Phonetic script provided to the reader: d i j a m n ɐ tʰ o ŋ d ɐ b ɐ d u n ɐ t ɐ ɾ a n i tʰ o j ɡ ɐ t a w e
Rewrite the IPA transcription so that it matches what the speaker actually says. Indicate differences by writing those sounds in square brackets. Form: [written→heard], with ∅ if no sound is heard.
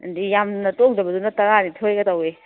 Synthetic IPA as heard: d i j a m n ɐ [tʰ→t] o ŋ d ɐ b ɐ d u n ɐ t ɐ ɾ a n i tʰ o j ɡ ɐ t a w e